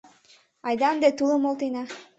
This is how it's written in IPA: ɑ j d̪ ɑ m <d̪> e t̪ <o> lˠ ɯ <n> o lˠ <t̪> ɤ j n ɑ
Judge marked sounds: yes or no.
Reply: yes, no, no, yes

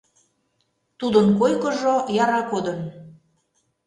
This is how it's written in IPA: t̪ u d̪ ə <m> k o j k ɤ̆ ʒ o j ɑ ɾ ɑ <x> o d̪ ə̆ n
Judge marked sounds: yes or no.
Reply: no, no

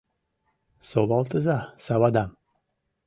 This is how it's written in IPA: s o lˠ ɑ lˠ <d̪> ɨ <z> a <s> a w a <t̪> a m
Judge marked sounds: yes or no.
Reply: no, yes, yes, no

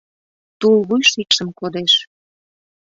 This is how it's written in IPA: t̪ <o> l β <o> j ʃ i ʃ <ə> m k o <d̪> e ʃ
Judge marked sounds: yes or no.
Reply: no, no, yes, yes

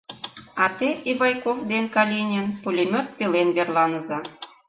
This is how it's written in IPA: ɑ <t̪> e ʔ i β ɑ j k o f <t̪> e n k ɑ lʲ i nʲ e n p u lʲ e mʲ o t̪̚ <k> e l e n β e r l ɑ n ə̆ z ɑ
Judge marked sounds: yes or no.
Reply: yes, no, no

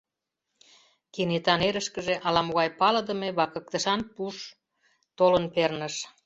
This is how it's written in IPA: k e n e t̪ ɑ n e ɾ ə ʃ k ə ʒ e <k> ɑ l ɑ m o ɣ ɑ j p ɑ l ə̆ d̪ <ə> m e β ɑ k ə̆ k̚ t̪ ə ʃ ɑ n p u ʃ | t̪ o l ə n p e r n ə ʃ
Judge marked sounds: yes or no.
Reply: no, yes

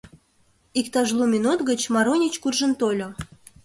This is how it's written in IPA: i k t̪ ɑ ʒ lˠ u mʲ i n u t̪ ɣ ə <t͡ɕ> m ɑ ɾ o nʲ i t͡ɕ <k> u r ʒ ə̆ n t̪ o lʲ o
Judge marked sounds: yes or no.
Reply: yes, yes

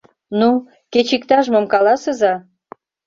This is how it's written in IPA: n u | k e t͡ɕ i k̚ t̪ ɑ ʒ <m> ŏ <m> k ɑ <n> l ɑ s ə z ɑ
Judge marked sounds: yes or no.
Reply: yes, yes, no

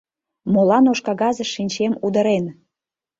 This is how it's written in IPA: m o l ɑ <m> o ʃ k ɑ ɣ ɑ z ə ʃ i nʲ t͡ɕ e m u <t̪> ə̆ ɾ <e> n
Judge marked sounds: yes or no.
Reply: no, no, yes

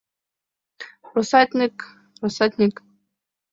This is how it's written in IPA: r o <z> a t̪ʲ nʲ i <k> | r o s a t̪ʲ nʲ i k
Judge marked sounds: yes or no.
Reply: no, yes

